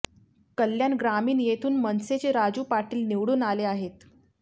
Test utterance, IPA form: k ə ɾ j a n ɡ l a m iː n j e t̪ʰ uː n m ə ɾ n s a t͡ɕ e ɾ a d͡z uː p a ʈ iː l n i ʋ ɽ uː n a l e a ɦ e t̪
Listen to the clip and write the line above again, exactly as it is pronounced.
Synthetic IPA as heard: k ə l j a n ɡ ɾ a m iː n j e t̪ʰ uː n m ə n s e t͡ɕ e ɾ a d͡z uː p a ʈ iː l n i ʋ ɽ uː n a l e a ɦ e t̪